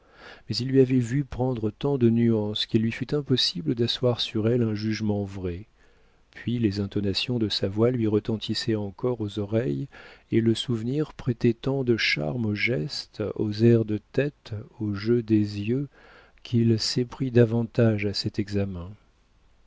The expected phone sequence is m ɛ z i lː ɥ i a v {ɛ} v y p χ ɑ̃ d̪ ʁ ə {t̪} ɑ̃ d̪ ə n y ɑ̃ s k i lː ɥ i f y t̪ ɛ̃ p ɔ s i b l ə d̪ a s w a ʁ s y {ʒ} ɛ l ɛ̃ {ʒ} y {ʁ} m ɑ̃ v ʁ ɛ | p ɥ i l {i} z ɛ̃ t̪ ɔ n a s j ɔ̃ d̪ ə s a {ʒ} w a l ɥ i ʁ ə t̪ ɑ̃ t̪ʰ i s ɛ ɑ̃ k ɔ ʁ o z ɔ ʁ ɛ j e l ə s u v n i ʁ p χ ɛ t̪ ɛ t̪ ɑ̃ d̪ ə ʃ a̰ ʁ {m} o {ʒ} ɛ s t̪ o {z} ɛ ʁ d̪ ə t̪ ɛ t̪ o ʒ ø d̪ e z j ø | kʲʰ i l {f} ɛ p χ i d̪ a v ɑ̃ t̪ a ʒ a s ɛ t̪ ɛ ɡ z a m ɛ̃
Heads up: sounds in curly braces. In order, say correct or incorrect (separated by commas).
correct, correct, incorrect, correct, incorrect, incorrect, incorrect, correct, correct, correct, incorrect